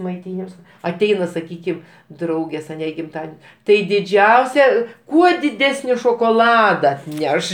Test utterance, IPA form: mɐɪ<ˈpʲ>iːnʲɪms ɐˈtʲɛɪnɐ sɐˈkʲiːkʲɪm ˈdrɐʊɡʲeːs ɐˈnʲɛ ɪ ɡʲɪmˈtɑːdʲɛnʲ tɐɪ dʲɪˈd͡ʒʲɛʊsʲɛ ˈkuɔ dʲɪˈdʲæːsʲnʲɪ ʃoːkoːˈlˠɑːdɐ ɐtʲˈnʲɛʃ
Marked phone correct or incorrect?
incorrect